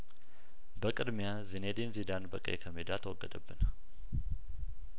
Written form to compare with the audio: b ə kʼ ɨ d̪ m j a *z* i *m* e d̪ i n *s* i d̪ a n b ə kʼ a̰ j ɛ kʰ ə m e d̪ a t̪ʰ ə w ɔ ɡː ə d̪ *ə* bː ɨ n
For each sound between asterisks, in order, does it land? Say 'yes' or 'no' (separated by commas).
yes, no, no, yes